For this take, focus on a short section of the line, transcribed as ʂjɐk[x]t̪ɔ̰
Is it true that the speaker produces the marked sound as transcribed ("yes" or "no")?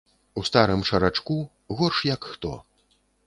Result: yes